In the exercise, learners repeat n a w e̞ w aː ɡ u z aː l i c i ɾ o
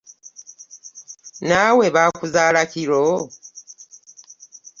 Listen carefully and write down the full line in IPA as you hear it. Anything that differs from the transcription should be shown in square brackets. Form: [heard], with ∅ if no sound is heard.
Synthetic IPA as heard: n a w e̞ [β] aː [k] u z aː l [a] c i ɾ o